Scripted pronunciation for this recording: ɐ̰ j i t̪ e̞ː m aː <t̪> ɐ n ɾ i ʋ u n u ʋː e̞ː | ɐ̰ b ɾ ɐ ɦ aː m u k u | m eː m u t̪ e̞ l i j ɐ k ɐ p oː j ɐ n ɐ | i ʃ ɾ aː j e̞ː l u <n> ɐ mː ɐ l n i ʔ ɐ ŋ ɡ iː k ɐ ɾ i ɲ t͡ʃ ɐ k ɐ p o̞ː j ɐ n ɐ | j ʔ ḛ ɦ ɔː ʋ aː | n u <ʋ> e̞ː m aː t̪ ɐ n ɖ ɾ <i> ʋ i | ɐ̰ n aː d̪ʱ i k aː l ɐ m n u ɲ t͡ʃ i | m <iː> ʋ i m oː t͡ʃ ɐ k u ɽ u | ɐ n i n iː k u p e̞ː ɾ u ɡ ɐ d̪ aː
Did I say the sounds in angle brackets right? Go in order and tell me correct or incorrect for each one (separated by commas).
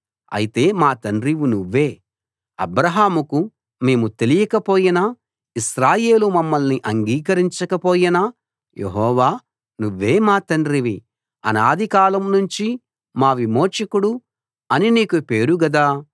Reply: correct, incorrect, incorrect, correct, incorrect